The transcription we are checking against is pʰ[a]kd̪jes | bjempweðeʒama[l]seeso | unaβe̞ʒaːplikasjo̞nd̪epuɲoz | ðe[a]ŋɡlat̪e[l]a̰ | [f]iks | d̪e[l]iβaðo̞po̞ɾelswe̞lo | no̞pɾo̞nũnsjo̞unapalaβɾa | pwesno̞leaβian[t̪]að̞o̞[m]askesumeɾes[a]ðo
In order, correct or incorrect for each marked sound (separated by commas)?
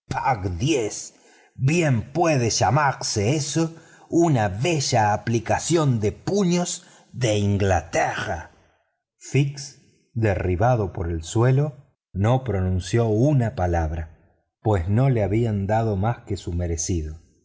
correct, incorrect, incorrect, incorrect, correct, incorrect, incorrect, correct, incorrect